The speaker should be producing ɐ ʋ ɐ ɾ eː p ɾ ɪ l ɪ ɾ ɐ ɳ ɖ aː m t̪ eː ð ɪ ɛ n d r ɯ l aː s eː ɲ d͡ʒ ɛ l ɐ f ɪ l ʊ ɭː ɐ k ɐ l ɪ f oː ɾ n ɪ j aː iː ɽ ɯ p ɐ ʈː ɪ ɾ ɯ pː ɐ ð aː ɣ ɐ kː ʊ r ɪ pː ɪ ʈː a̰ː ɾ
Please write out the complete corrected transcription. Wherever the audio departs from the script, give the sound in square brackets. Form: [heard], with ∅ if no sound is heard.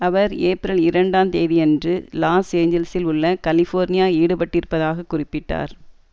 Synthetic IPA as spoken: ɐ ʋ ɐ ɾ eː p ɾ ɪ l ɪ ɾ ɐ ɳ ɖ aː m t̪ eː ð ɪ ɛ n d r ɯ l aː s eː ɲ d͡ʒ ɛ l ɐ [s] ɪ l ʊ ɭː ɐ k ɐ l ɪ f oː ɾ n ɪ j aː iː ɽ ɯ p ɐ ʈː ɪ ɾ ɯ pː ɐ ð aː ɣ ɐ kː ʊ r ɪ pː ɪ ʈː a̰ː ɾ